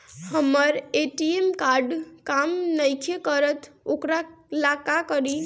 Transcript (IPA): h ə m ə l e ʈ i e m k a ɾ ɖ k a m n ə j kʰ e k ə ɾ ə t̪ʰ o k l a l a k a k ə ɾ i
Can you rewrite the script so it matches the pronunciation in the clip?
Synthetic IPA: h ə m ə ɾ e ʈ i e m k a ɾ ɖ k a m n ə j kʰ e k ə ɾ ə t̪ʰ o k ɾ a l a k a k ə ɾ i